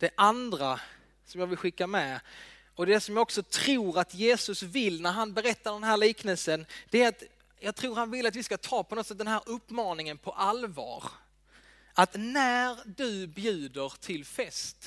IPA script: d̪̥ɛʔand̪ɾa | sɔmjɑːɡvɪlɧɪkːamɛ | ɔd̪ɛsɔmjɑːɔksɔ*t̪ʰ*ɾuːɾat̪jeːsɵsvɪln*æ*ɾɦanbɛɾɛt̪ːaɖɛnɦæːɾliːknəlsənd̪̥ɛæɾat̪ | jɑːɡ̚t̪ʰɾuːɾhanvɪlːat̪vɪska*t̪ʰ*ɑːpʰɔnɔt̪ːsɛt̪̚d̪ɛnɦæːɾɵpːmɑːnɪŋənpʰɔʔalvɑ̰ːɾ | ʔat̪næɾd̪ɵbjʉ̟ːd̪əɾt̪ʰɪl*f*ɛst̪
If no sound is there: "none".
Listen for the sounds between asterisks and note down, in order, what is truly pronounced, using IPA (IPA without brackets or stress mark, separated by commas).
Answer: t̪ʰ, æ, t̪ʰ, f